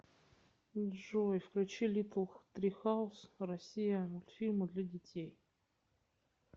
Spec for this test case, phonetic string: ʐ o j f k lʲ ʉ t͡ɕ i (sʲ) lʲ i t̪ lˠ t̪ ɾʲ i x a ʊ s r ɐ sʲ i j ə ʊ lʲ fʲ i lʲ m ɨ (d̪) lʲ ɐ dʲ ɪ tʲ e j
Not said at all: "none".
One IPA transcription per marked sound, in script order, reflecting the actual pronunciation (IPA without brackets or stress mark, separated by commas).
none, d̪